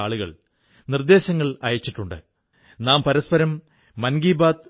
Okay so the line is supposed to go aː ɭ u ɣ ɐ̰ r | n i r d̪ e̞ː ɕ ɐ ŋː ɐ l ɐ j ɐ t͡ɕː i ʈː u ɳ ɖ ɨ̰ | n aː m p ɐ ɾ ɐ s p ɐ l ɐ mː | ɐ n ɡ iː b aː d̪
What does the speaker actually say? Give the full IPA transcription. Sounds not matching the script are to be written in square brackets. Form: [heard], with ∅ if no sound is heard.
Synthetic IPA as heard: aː ɭ u ɣ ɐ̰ [ɭ] | n i r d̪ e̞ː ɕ ɐ ŋː ɐ [ɭ] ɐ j ɐ t͡ɕː i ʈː u ɳ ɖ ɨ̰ | n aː m p ɐ ɾ ɐ s p ɐ [ɾ] ɐ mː | ɐ n ɡ iː b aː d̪